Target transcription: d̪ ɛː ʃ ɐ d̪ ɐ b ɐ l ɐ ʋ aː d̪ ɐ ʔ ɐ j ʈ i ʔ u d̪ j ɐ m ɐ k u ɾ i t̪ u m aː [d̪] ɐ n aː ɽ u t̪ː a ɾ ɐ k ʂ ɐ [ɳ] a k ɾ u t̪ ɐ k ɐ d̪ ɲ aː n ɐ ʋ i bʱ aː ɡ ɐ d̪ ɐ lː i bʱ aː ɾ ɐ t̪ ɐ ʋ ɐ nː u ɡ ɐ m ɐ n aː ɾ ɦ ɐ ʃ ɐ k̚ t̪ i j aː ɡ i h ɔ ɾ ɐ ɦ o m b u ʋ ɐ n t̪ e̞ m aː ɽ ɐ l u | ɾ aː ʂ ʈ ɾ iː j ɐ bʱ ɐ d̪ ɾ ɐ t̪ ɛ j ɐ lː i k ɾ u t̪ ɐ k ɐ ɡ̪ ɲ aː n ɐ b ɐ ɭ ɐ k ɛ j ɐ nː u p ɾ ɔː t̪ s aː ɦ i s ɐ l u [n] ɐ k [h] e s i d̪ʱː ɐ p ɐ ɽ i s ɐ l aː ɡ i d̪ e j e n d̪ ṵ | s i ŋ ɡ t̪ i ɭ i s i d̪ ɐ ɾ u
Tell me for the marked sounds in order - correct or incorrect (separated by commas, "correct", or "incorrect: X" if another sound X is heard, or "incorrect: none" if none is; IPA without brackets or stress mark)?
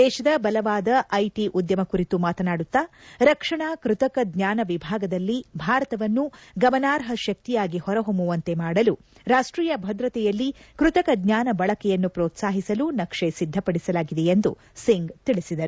incorrect: t̪, correct, correct, incorrect: ʂ